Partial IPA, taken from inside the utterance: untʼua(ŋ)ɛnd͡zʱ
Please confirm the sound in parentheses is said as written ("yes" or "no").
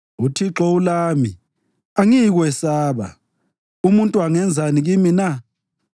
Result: yes